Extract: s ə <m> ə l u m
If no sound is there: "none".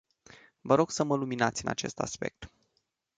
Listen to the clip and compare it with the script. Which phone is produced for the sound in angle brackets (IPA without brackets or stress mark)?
m